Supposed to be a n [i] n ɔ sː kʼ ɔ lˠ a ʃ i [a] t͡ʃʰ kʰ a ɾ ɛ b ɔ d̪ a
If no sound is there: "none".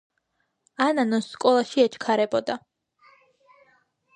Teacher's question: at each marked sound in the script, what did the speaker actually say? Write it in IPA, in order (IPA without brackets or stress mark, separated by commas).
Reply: a, ɛ